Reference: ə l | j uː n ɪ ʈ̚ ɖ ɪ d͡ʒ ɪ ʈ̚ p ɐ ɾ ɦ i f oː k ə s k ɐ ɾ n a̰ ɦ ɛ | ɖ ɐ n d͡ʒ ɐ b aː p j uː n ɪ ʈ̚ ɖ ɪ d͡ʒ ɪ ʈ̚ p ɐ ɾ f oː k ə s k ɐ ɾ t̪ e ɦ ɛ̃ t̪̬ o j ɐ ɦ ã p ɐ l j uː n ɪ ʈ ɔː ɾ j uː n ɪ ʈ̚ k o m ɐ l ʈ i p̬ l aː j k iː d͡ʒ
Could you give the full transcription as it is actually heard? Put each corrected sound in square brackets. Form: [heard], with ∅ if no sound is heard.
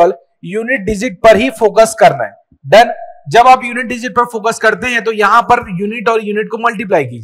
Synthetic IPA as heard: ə l | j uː n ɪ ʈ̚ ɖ ɪ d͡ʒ ɪ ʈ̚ p ɐ ɾ ɦ i f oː k ə s k ɐ ɾ n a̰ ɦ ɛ | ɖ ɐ n d͡ʒ ɐ b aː p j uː n ɪ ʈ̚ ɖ ɪ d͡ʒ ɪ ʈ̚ p ɐ ɾ f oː k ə s k ɐ ɾ t̪ e ɦ ɛ̃ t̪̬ o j ɐ ɦ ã p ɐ [ɾ] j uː n ɪ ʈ ɔː ɾ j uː n ɪ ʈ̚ k o m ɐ l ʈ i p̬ l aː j k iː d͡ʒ